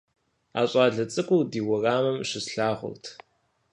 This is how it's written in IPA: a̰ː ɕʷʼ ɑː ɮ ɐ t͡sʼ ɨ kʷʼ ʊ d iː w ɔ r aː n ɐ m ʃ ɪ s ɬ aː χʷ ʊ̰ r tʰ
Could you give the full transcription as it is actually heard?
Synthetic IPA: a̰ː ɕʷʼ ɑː ɮ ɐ t͡sʼ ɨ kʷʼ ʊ d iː w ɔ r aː m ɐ m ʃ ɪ s ɬ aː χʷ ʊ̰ r tʰ